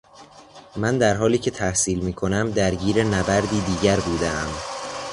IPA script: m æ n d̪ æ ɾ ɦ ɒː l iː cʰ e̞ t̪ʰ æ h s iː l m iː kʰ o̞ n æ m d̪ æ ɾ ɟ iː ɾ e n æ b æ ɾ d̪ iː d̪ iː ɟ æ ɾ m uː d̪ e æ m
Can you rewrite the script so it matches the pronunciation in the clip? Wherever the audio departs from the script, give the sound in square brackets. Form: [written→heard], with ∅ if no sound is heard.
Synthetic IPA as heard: m æ n d̪ æ ɾ ɦ ɒː l iː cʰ e̞ t̪ʰ æ h s iː l m iː kʰ o̞ n æ m d̪ æ ɾ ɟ iː ɾ e n æ b æ ɾ d̪ iː d̪ iː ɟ æ ɾ [m→b] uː d̪ e æ m